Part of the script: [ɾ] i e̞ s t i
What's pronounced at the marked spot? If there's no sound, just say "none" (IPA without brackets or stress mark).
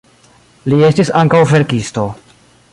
l